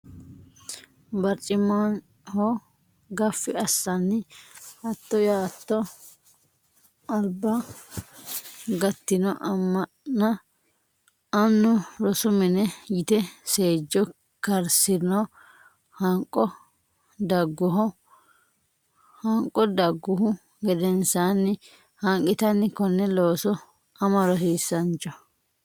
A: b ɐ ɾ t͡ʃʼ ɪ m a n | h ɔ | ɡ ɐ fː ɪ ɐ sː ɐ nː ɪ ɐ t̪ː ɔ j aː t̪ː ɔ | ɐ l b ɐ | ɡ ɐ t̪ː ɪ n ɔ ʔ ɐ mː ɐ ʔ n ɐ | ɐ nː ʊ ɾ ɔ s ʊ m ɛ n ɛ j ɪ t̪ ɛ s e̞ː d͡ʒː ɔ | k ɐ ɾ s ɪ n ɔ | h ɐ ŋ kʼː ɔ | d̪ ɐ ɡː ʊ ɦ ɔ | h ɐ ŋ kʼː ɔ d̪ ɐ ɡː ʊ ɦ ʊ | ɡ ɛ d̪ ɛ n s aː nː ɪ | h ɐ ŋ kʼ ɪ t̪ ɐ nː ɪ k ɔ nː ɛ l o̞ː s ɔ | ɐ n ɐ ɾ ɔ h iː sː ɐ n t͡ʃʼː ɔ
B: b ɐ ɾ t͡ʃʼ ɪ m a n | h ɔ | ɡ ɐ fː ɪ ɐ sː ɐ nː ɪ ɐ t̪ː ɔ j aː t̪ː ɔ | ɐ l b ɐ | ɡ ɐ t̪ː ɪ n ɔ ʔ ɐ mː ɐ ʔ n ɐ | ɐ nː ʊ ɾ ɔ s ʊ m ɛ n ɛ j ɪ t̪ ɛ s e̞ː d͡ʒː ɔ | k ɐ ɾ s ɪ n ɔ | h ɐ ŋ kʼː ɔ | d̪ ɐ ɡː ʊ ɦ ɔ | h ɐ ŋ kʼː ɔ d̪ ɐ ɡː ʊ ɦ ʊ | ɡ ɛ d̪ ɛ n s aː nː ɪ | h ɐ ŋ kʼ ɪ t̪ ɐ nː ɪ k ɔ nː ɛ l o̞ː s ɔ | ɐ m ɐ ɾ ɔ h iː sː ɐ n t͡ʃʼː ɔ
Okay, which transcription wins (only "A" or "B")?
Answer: B